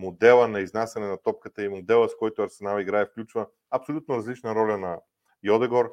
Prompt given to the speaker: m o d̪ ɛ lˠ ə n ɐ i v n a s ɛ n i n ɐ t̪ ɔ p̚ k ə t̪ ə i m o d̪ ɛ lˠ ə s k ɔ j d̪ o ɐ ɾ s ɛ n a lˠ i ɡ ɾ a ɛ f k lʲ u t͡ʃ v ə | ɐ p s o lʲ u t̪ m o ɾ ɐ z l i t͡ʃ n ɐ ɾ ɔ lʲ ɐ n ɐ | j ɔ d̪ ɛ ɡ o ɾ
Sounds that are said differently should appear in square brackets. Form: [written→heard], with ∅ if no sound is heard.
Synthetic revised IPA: m o d̪ ɛ lˠ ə n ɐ i [v→z] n a s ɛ n [i→ɛ] n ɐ t̪ ɔ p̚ k ə t̪ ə i m o d̪ ɛ lˠ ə s k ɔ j [d̪→t̪] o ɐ ɾ s ɛ n a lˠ i ɡ ɾ a ɛ f k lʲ u t͡ʃ v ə | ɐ p s o lʲ u t̪ [m→n] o ɾ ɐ z l i t͡ʃ n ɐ ɾ ɔ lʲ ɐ n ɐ | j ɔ d̪ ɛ ɡ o ɾ